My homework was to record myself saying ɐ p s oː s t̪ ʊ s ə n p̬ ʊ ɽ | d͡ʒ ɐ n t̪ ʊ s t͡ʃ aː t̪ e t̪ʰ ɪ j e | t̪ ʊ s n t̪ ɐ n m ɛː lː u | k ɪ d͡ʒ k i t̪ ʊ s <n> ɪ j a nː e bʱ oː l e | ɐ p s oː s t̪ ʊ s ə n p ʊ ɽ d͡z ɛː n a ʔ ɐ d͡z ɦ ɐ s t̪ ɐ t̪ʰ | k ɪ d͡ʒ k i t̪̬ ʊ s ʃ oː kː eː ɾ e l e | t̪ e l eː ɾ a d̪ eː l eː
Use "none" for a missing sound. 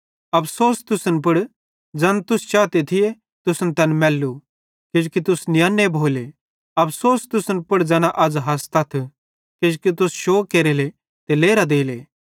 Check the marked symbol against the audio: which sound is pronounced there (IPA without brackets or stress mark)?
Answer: n